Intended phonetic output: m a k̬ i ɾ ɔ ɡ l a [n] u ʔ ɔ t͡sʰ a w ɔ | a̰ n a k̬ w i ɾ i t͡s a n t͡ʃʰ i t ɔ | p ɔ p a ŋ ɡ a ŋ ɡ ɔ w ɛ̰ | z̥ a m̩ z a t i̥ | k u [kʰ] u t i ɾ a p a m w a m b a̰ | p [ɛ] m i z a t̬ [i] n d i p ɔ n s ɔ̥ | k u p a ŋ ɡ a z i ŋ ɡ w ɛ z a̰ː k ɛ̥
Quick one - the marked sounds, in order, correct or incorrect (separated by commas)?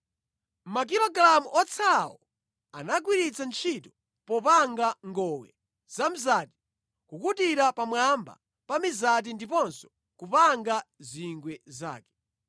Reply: incorrect, incorrect, incorrect, correct